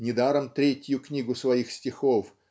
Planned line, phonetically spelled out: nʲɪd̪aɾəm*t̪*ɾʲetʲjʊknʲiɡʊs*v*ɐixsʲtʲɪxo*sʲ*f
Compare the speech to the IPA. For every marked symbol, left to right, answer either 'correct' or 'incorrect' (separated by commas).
correct, correct, incorrect